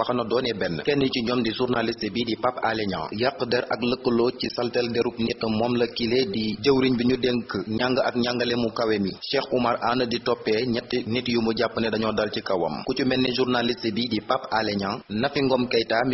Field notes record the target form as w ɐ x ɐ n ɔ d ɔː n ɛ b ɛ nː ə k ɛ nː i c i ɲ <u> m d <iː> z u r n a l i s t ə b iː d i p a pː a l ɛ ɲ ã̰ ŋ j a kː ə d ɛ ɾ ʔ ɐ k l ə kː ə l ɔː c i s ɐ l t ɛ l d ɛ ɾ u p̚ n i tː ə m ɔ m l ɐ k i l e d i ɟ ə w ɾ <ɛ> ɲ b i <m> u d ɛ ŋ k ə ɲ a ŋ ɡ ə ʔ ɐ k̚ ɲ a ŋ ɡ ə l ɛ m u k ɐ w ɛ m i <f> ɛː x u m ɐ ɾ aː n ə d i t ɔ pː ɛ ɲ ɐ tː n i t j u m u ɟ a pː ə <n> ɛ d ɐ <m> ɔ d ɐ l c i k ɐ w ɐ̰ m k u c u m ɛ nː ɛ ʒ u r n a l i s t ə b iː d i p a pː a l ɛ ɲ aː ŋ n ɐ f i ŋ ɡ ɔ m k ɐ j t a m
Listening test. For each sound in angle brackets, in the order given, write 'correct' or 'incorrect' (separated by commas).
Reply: incorrect, incorrect, incorrect, incorrect, incorrect, correct, incorrect